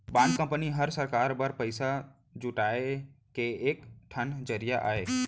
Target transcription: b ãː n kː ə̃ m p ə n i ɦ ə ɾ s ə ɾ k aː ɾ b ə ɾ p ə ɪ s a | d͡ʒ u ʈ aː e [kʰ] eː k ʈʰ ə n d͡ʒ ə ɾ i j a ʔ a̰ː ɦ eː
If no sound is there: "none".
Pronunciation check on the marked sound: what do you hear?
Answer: k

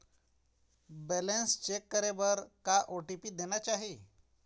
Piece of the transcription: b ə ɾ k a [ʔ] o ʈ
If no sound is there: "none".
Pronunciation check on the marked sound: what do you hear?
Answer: ʔ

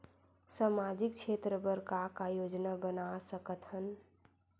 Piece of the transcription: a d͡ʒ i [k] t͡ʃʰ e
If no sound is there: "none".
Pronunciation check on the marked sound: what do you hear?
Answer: k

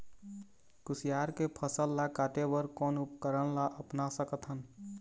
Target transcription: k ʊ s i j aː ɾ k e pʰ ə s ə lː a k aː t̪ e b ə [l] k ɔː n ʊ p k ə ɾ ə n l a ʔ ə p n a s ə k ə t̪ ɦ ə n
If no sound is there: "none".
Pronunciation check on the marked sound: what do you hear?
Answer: ɾ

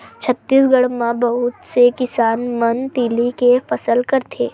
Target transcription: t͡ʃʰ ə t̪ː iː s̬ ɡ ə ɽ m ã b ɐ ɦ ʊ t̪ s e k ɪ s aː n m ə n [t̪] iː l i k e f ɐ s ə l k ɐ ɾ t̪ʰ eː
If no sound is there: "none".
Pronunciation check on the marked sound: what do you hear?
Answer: t̪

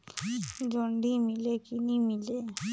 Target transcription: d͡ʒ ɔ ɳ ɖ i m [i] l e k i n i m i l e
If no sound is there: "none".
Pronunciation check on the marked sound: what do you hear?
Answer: i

